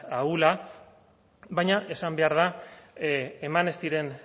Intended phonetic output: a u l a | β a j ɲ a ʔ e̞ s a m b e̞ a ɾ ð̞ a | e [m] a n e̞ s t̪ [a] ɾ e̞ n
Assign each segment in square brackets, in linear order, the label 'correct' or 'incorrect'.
correct, incorrect

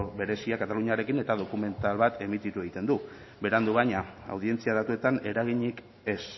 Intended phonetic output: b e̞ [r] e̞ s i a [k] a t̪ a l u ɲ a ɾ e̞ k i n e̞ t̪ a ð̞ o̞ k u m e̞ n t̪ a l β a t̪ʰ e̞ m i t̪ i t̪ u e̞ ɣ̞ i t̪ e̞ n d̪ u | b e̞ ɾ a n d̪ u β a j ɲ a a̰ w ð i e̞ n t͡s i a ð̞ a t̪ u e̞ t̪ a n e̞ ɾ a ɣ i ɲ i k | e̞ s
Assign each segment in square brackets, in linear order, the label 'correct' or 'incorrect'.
incorrect, correct

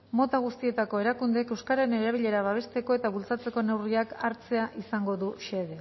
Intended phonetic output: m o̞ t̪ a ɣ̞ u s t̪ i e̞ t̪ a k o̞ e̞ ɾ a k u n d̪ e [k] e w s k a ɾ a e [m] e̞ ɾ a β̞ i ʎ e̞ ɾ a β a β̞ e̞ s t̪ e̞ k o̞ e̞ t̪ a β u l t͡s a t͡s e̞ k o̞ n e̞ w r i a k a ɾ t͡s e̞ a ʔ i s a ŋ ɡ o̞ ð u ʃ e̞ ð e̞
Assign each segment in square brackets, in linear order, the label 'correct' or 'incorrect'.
correct, incorrect

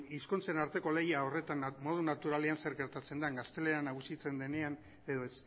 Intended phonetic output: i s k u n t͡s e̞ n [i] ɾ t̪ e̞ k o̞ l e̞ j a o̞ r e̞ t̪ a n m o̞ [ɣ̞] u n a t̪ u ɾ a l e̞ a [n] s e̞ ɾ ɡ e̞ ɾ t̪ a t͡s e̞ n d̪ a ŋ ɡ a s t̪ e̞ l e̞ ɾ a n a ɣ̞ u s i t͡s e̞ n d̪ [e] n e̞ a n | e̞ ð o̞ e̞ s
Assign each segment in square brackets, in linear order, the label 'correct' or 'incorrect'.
incorrect, incorrect, correct, correct

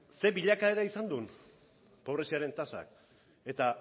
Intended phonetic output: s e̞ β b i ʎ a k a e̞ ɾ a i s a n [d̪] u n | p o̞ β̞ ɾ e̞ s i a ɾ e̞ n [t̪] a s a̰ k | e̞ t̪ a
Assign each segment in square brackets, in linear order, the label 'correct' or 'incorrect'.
correct, correct

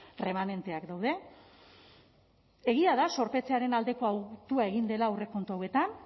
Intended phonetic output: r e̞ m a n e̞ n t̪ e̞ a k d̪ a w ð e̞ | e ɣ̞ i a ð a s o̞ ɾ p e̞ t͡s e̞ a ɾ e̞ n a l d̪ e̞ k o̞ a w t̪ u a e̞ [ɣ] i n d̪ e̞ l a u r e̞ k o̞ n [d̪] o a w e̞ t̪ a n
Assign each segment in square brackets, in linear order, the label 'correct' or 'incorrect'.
correct, incorrect

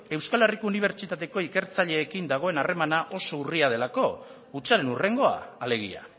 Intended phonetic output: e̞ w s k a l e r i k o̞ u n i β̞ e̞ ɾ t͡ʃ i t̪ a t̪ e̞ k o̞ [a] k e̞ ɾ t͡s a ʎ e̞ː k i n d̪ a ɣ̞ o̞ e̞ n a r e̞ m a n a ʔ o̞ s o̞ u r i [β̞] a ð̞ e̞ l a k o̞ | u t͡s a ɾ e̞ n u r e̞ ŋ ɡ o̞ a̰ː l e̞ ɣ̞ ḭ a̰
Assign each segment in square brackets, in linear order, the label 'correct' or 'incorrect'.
incorrect, incorrect

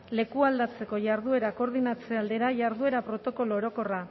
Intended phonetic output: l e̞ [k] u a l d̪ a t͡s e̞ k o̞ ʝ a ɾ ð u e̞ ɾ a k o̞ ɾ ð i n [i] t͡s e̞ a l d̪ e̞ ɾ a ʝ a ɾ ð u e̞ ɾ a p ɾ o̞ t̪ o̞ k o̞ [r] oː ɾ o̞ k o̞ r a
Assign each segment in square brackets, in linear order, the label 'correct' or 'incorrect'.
correct, incorrect, incorrect

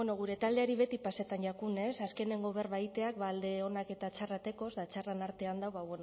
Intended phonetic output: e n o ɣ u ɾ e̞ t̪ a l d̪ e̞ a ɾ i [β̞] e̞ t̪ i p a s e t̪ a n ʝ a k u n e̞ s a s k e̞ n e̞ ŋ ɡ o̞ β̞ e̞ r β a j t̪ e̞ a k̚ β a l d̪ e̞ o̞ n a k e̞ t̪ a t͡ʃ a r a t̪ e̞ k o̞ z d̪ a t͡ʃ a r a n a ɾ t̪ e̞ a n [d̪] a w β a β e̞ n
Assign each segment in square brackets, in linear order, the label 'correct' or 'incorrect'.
correct, correct

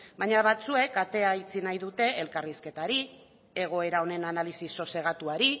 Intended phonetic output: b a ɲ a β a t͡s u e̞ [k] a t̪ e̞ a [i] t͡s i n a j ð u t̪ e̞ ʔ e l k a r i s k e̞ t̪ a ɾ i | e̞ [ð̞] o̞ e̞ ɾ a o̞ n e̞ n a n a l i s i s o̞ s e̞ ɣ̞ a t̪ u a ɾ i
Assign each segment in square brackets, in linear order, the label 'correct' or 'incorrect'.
correct, correct, incorrect

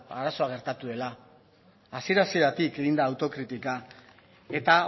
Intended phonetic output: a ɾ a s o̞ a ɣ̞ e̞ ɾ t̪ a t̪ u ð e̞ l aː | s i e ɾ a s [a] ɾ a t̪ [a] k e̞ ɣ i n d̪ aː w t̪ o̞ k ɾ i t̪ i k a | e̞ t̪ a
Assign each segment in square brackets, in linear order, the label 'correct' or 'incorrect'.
incorrect, incorrect

